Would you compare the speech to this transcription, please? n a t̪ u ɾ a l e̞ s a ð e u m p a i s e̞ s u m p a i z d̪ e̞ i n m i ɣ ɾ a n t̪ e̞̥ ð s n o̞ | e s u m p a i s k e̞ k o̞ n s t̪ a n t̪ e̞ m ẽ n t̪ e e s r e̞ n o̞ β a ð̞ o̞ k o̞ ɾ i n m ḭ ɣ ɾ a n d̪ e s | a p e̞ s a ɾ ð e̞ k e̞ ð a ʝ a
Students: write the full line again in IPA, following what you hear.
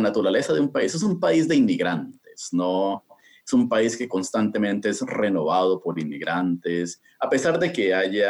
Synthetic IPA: n a t̪ u ɾ a l e̞ s a ð e u m p a i s e̞ s u m p a i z d̪ e̞ i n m i ɣ ɾ a n t̪ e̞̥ s n o̞ | e s u m p a i s k e̞ k o̞ n s t̪ a n t̪ e̞ m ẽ n t̪ e e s r e̞ n o̞ β a ð̞ o̞ p o̞ ɾ i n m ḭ ɣ ɾ a n t̪ e s | a p e̞ s a ɾ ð e̞ k e̞ a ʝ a